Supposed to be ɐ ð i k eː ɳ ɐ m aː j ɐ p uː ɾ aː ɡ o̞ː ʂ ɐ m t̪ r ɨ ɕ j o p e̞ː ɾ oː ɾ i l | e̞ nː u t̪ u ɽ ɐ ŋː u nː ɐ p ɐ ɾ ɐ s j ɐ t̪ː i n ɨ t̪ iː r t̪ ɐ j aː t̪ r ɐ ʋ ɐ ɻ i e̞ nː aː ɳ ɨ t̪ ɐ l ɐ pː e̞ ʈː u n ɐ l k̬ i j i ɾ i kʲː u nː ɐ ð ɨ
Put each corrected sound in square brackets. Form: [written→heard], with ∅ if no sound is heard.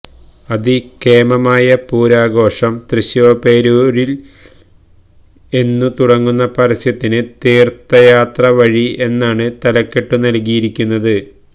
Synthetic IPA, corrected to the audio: ɐ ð i k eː [ɳ→m] ɐ m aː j ɐ p uː ɾ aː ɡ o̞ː ʂ ɐ m t̪ r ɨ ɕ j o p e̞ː ɾ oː ɾ i l | e̞ nː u t̪ u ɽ ɐ ŋː u nː ɐ p ɐ ɾ ɐ s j ɐ t̪ː i n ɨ t̪ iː r t̪ ɐ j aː t̪ r ɐ ʋ ɐ ɻ i e̞ nː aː ɳ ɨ t̪ ɐ l ɐ [pː→kː] e̞ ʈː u n ɐ l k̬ i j i ɾ i kʲː u nː ɐ ð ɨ